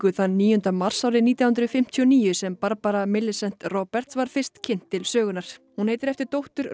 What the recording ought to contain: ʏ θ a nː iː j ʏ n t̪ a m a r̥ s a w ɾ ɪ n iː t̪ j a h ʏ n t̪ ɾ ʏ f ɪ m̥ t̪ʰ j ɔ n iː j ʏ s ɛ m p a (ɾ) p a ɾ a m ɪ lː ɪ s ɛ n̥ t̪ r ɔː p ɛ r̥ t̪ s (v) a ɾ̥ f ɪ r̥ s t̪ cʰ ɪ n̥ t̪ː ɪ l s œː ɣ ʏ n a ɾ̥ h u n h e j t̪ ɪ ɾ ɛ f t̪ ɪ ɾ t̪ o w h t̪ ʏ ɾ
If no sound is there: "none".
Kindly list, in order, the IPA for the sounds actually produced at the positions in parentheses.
ɾ, v

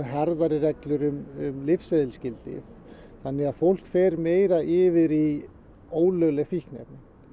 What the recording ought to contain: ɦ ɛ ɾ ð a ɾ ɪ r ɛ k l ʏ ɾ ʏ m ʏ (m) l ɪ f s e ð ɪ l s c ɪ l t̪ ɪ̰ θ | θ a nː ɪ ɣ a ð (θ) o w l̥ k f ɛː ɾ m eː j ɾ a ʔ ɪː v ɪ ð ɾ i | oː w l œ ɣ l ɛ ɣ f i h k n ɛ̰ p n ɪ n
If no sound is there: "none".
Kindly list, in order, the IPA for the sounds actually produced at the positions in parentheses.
m, f

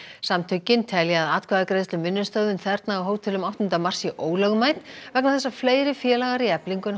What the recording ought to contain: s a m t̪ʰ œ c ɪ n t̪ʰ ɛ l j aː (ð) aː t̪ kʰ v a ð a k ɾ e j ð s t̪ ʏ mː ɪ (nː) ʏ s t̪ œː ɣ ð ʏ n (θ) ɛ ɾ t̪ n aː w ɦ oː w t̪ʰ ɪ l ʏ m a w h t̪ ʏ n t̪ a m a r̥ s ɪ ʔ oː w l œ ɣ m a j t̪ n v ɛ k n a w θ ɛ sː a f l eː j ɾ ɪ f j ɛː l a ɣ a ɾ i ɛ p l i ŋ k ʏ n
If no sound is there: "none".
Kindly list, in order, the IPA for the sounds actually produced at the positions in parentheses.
ð, nː, θ

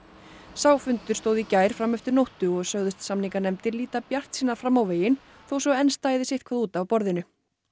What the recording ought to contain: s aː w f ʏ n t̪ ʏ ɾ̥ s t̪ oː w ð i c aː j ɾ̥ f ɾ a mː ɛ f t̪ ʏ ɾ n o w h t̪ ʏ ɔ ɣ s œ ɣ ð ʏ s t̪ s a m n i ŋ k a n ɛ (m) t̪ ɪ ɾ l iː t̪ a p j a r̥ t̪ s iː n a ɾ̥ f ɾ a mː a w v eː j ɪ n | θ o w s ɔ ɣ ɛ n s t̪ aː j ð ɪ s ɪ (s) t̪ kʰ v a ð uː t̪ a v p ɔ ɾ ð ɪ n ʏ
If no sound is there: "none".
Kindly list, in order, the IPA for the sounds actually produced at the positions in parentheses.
m, h

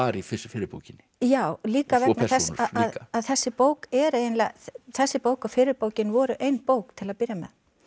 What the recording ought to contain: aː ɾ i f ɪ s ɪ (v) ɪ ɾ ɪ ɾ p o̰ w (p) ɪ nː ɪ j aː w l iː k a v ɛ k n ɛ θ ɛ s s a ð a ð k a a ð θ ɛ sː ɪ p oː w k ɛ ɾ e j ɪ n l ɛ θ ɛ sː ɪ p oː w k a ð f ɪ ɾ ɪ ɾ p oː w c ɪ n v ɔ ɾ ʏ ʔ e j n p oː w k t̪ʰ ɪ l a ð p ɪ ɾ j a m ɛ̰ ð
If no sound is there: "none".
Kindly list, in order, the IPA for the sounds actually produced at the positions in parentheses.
f, c

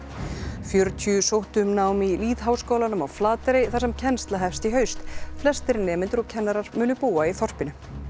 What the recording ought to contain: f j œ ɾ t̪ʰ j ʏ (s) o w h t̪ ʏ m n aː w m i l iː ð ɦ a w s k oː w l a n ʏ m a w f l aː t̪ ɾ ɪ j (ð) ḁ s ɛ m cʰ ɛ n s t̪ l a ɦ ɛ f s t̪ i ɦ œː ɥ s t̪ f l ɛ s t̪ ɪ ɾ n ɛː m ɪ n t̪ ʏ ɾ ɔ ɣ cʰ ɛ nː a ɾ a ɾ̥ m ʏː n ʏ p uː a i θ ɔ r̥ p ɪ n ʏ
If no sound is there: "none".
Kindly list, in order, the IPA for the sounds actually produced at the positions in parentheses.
s, θ

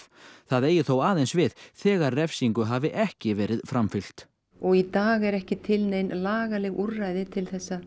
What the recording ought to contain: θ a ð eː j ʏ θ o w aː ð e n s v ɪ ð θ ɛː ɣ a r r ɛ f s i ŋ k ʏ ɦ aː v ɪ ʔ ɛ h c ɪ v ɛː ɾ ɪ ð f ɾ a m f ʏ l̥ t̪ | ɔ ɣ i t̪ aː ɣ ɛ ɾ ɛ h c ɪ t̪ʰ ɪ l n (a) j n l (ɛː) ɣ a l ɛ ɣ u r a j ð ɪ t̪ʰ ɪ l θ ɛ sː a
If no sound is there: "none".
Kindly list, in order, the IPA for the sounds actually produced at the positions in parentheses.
e, aː

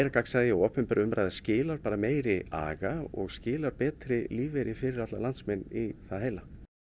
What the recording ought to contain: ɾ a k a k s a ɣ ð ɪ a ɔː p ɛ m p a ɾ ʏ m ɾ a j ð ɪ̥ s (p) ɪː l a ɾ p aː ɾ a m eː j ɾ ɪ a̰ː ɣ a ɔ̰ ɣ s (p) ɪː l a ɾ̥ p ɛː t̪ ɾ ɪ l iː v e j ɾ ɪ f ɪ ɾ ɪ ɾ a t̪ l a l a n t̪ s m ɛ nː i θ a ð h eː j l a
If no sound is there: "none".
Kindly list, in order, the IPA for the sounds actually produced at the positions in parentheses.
c, c

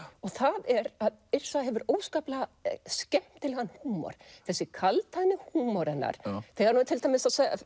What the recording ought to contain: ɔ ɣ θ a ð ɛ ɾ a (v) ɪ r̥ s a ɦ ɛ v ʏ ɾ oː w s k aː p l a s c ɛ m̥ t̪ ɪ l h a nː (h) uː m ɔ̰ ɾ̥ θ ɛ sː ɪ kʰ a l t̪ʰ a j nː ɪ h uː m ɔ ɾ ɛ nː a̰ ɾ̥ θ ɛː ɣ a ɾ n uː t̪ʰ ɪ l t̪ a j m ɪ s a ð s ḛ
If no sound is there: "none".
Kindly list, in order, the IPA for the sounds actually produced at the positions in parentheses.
ð, h

